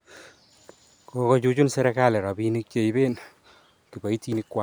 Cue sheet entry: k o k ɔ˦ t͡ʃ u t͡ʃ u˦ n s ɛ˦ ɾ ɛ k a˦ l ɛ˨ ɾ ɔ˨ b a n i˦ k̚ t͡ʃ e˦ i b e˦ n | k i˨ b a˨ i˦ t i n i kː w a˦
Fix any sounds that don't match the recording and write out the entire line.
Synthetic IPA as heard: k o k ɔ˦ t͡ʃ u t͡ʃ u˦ n s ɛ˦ ɾ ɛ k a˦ l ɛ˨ ɾ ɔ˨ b i n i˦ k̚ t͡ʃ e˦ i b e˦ n | k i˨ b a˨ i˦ t i n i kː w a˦

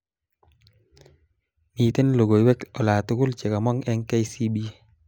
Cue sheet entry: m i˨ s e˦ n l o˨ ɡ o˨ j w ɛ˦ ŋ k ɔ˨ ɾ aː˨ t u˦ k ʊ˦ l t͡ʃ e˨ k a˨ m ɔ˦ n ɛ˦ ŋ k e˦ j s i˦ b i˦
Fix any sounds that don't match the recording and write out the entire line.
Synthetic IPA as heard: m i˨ t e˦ n l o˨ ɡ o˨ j w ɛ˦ k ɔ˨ l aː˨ t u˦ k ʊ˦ l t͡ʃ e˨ k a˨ m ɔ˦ ŋ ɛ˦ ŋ k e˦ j s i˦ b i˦

